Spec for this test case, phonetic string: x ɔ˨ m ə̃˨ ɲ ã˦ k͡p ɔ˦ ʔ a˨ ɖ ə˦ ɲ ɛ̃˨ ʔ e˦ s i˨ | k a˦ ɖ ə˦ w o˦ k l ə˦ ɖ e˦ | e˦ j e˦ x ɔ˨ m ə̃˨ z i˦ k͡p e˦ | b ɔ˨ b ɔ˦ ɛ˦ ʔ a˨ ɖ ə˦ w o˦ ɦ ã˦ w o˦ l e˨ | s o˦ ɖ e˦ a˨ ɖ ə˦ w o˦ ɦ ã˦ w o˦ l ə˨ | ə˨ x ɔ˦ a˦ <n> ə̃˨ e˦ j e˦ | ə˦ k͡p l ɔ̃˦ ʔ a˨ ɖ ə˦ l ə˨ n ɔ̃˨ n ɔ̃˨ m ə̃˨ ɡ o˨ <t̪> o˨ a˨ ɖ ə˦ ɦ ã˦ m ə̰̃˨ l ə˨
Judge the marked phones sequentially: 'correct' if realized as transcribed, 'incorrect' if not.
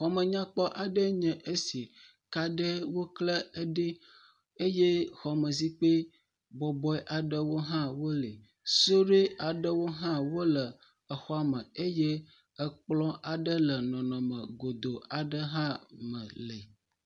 incorrect, incorrect

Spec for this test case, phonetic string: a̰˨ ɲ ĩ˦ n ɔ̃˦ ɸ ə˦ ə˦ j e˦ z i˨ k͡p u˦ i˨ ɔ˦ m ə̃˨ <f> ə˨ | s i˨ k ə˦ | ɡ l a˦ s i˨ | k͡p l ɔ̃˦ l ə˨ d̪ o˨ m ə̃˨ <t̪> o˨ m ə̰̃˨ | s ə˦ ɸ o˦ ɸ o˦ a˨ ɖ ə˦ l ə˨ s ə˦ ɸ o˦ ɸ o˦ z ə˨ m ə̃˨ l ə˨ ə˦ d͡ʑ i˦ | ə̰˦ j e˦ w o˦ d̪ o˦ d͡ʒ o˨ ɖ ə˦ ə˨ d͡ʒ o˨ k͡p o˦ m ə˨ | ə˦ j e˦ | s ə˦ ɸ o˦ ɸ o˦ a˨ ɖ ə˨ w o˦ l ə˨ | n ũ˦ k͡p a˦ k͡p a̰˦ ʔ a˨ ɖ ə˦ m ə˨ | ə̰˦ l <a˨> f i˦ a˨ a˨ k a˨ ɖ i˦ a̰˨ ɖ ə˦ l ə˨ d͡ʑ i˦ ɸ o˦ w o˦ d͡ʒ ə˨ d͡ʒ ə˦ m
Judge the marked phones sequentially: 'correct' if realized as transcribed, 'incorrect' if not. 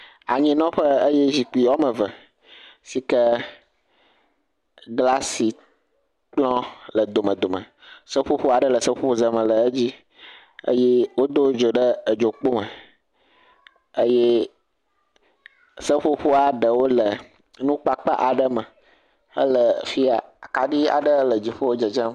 incorrect, incorrect, incorrect

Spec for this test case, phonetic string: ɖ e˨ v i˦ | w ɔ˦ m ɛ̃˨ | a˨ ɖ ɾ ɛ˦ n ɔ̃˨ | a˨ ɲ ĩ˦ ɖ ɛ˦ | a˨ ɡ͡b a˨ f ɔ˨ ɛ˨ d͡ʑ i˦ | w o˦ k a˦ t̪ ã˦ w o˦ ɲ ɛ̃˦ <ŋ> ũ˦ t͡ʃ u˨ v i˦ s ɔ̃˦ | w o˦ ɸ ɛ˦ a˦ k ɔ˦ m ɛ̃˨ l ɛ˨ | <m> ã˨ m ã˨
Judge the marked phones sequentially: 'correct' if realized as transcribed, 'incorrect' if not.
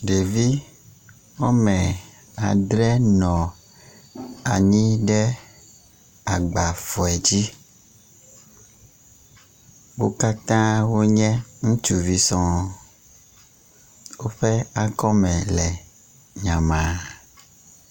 correct, incorrect

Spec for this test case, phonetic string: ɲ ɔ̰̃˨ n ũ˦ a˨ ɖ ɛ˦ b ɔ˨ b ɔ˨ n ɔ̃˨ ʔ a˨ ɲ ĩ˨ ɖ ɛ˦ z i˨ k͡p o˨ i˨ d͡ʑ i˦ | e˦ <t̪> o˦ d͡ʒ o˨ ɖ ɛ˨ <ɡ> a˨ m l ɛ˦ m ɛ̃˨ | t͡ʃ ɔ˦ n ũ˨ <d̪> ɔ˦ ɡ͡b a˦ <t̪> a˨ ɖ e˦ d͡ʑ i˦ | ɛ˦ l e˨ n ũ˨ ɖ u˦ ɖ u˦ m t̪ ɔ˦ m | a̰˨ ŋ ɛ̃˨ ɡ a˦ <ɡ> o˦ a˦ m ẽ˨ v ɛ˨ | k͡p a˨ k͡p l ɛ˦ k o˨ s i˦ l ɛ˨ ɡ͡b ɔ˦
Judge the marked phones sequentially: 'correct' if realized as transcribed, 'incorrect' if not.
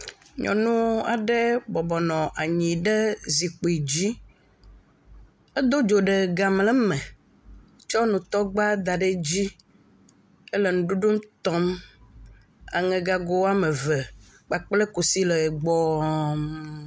incorrect, correct, incorrect, incorrect, correct

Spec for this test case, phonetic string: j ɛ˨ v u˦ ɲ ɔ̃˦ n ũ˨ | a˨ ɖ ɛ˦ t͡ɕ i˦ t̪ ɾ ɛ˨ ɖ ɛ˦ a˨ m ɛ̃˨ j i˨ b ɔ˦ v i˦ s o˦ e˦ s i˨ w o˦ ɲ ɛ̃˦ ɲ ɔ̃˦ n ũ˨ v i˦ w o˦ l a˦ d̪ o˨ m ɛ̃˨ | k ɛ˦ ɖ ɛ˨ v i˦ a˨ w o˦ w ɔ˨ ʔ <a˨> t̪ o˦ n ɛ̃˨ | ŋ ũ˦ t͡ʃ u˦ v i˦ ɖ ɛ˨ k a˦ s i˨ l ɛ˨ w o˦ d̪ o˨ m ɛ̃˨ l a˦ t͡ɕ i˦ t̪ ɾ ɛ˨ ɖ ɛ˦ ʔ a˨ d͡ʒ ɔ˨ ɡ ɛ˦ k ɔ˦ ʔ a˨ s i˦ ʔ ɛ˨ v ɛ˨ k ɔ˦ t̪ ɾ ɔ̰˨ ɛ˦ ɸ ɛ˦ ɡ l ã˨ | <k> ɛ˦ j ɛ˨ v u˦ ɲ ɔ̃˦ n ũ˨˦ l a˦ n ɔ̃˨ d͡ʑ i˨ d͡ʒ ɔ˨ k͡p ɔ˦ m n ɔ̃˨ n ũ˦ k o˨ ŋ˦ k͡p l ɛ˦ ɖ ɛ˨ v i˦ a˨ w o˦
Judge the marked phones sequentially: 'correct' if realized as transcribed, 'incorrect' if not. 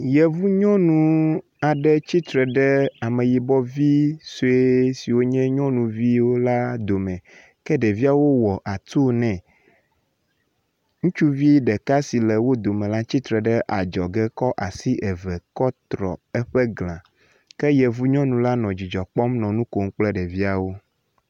correct, correct

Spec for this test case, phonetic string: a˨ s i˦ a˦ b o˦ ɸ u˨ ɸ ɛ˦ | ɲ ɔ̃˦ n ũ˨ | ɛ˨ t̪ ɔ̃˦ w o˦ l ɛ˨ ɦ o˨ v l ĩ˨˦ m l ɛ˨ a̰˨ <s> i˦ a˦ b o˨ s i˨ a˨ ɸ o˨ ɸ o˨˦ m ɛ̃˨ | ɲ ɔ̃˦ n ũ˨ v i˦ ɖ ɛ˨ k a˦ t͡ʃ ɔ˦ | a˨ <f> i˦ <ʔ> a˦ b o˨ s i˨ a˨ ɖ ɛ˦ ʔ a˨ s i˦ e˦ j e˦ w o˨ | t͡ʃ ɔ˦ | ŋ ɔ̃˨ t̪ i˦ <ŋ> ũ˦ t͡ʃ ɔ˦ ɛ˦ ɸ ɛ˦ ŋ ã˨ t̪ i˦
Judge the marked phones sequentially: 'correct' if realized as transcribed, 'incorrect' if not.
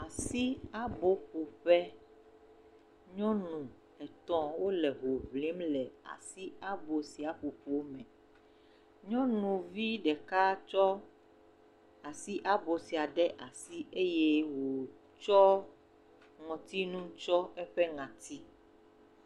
correct, incorrect, correct, incorrect

